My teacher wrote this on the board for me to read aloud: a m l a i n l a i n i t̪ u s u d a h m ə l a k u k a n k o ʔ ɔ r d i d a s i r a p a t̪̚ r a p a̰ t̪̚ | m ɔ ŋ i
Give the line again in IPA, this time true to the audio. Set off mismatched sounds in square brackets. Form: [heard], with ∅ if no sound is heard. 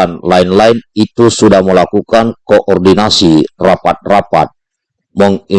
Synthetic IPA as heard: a [n] l a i n l a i n i t̪ u s u d a h m ə l a k u k a n k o ʔ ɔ r d i [n] a s i r a p a t̪̚ r a p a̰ t̪̚ | m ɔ ŋ i

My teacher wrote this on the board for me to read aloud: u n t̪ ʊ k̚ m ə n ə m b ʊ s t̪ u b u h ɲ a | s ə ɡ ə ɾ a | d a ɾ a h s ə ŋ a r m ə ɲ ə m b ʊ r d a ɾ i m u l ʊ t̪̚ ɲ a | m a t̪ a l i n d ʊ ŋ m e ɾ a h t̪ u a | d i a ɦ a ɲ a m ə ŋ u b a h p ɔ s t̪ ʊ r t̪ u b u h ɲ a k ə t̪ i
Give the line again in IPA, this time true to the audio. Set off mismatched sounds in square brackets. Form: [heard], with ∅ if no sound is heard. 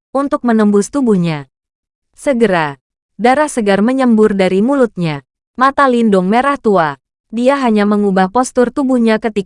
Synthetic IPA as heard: u n t̪ ʊ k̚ m ə n ə m b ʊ s t̪ u b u h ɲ a | s ə ɡ ə ɾ a | d a ɾ a h s ə [ɡ] a r m ə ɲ ə m b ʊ r d a ɾ i m u l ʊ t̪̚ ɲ a | m a t̪ a l i n d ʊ ŋ m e ɾ a h t̪ u a | d i a ɦ a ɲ a m ə ŋ u b a h p ɔ s t̪ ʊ r t̪ u b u h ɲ a k ə t̪ i

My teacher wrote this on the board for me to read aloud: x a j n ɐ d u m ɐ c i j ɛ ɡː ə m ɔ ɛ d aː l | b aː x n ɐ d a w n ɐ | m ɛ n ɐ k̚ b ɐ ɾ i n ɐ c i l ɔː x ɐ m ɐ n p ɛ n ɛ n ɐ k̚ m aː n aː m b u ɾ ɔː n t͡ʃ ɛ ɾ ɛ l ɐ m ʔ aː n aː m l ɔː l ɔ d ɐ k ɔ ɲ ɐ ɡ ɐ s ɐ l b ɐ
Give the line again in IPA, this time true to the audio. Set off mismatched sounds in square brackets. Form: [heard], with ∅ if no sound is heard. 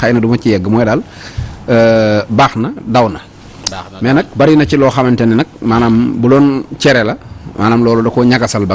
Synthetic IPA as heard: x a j n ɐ d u m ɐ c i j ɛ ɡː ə m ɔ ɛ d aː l | b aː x n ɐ d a w n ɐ | m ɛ n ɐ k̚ b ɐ ɾ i n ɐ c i l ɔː x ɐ m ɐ n [t] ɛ n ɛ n ɐ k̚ m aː n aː m b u [l] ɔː n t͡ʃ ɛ ɾ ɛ l ɐ m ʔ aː n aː m l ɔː l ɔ d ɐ k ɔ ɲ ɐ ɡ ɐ s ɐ l b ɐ

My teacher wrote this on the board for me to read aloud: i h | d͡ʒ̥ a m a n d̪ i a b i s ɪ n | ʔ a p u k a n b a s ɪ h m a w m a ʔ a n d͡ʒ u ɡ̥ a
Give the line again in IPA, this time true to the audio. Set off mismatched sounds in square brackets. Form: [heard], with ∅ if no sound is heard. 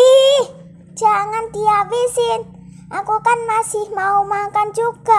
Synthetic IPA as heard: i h | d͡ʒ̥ a [ŋ] a n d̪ i a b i s ɪ n | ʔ a [k] u k a n [m] a s ɪ h m a [u] m a [k] a n d͡ʒ u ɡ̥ a

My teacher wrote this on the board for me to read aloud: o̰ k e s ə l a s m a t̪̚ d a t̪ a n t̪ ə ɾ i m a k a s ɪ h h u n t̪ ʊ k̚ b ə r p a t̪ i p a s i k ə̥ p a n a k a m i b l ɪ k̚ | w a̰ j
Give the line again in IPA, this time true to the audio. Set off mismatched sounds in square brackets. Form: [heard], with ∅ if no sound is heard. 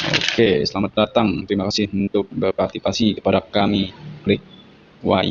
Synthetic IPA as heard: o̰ k e s ə l a [∅] m a t̪̚ d a t̪ a [ŋ] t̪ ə ɾ i m a k a s ɪ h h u n t̪ ʊ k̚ b ə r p a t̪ i p a s i k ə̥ p a [d] a k a m i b l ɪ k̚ | w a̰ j

